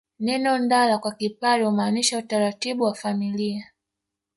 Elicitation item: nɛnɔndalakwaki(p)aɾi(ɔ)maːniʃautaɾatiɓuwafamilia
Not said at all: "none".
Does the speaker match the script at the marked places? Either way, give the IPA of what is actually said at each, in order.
p, u

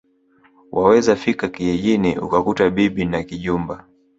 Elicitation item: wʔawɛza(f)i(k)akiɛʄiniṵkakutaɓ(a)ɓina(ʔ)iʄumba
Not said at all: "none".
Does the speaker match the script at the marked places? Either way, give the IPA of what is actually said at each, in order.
f, k, i, k

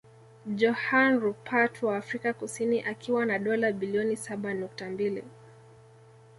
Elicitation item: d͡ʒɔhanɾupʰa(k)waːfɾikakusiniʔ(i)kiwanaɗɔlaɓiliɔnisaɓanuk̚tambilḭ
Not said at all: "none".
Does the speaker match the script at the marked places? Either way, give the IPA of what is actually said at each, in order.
t, a

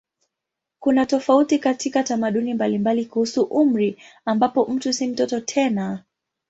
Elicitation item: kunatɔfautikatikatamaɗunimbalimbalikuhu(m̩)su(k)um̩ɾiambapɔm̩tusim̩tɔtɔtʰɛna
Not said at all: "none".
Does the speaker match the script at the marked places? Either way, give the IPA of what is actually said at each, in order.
none, ʔ

